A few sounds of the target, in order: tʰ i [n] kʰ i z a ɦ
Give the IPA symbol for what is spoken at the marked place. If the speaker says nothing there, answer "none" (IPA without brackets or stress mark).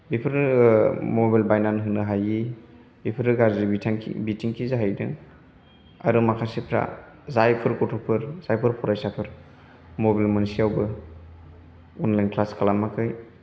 ŋ